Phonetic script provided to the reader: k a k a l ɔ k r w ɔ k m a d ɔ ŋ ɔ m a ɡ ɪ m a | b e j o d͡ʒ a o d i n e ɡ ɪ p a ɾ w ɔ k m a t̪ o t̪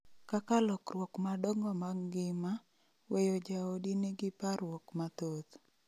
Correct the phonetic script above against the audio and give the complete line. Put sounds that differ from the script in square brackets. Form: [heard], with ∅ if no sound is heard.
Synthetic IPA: k a k a l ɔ k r w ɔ k m a d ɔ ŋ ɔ m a ɡ ɪ m a | [w] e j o d͡ʒ a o d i n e ɡ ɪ p a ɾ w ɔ k m a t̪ o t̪